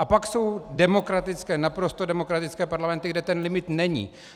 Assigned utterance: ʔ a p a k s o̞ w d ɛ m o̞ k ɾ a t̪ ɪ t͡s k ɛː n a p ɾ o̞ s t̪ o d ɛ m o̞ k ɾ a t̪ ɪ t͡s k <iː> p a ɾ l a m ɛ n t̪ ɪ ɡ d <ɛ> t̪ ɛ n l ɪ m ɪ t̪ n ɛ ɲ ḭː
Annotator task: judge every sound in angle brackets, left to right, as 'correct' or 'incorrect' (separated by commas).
incorrect, correct